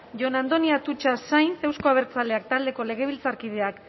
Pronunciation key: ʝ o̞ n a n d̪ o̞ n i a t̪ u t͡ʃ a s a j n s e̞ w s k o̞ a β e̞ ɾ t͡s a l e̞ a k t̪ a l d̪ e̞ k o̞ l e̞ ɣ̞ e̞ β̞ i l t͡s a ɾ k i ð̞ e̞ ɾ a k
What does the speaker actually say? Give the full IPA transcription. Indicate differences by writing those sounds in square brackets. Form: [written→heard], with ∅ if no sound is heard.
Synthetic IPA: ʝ o̞ n a n d̪ o̞ n i a t̪ u t͡ʃ a s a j n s e̞ w s k o̞ a β e̞ ɾ t͡s a l e̞ a k t̪ a l d̪ e̞ k o̞ l e̞ ɣ̞ e̞ β̞ i l t͡s a ɾ k i ð̞ e̞ [ɾ→∅] a k